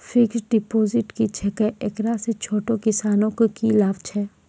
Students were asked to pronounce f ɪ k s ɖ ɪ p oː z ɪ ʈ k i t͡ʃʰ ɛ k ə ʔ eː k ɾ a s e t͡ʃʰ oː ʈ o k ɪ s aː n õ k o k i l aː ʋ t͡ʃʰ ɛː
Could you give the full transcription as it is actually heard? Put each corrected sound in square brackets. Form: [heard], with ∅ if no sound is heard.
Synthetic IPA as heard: f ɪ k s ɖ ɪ p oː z ɪ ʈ k i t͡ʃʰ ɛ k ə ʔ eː k ɾ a s e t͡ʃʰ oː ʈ o k ɪ s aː n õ k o k i l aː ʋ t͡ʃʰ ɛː